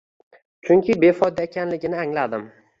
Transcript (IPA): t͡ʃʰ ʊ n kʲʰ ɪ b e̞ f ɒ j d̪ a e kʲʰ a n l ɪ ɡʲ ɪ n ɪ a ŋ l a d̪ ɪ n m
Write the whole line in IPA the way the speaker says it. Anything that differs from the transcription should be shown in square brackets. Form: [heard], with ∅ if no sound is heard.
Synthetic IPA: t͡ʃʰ ʊ [ŋ] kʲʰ ɪ b e̞ f ɒ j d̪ a e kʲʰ a n l ɪ ɡʲ ɪ n ɪ a ŋ l a d̪ ɪ [∅] m